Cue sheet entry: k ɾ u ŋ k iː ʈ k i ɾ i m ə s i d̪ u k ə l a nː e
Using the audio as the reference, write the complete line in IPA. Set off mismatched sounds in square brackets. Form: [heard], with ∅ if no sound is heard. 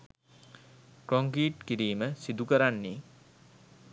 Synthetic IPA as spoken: k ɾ [o] ŋ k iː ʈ k i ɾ [iː] m ə s i d̪ u k ə [ɾ] a nː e